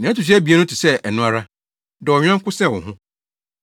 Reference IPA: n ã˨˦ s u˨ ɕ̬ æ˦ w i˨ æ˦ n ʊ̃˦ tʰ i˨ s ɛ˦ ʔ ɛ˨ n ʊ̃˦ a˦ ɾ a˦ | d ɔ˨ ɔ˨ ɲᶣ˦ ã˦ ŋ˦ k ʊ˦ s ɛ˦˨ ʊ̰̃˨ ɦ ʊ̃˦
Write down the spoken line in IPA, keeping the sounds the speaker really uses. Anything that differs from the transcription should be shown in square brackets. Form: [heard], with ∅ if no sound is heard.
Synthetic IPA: n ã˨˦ [t] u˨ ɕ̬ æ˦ [b] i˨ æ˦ n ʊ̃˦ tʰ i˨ s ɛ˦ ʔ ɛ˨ n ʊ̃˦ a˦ ɾ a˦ | d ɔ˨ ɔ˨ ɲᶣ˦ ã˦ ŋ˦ k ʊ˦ s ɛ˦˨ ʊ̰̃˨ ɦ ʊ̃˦